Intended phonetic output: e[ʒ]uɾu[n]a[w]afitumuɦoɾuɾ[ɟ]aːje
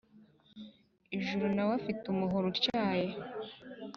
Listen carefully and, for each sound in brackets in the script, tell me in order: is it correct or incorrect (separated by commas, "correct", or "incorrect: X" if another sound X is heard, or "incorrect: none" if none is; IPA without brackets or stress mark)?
correct, correct, correct, incorrect: c